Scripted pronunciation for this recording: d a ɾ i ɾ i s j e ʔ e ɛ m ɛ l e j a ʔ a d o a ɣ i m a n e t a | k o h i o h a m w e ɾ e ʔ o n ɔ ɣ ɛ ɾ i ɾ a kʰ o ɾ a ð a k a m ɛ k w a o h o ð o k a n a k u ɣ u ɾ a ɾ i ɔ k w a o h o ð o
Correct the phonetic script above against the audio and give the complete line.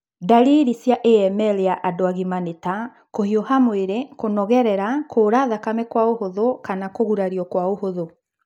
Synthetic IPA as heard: d a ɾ i ɾ i s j a ʔ e ɛ m ɛ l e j a ʔ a d o a ɣ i m a n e t a | k o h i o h a m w e ɾ e k o n ɔ ɣ ɛ ɾ ɛ ɾ a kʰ o ɾ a ð a k a m ɛ k w a o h o ð o k a n a k o ɣ u ɾ a ɾ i ɔ k w a o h o ð o

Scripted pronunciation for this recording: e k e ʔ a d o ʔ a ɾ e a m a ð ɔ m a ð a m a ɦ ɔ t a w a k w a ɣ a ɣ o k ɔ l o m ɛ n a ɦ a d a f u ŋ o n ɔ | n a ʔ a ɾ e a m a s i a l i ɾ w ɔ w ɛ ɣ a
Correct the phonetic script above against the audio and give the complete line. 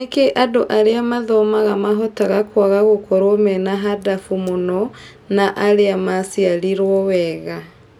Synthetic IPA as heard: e k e ʔ a d o ʔ a ɾ e a m a ð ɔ m a ɣ a m a ɦ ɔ t a ɣ a k w a ɣ a ɣ o k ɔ ɾ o m ɛ n a ɦ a d a f u m o n ɔ | n a ʔ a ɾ e a m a s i a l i ɾ w ɔ w ɛ ɣ a

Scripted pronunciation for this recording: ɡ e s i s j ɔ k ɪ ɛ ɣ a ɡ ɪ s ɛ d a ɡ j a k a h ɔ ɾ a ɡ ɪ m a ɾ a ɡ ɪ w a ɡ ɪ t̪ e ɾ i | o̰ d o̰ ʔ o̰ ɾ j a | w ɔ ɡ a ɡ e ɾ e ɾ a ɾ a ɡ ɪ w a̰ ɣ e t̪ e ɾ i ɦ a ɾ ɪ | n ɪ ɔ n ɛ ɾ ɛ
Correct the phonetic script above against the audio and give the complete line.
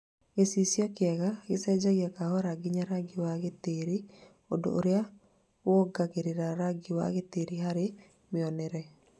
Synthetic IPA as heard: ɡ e s i s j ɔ k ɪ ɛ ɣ a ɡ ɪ s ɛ d͡ʒ a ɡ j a k a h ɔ ɾ a ɡ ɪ ɲ a ɾ a ɡ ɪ w a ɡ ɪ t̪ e ɾ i | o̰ d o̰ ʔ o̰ ɾ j a | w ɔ ɡ a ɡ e ɾ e ɾ a ɾ a ɡ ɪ w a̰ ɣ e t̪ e ɾ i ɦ a ɾ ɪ | m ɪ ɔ n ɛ ɾ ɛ

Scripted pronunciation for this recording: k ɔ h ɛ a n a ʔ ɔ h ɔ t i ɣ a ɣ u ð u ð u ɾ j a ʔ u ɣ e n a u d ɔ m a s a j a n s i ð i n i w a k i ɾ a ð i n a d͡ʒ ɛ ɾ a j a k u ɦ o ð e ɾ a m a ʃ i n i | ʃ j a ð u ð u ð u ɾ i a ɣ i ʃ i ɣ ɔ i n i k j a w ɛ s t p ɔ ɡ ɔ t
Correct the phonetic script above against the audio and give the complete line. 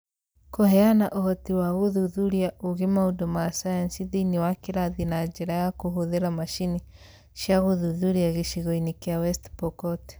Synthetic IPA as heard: k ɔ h ɛ a n a ʔ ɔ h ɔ t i w a ɣ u ð u ð u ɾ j a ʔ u ɣ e m a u d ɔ m a s a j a n s i ð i n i w a k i ɾ a ð i n a d͡ʒ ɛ ɾ a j a k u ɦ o ð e ɾ a m a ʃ i n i | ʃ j a ɣ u ð u ð u ɾ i a ɣ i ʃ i ɣ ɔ i n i k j a w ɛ s t p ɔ k ɔ t

